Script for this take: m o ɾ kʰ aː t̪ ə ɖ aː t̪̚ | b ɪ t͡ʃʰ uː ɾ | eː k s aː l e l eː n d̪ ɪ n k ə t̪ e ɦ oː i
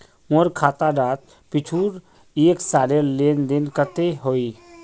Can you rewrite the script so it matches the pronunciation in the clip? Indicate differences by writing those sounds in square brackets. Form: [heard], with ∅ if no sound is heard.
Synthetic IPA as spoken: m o ɾ kʰ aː t̪ [a] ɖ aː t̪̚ | [p] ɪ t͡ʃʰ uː ɾ | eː k s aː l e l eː n d̪ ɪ n k ə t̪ e ɦ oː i